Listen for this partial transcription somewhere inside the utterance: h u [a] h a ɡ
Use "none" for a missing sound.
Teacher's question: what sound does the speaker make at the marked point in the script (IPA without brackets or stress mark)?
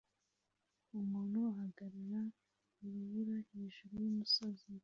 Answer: a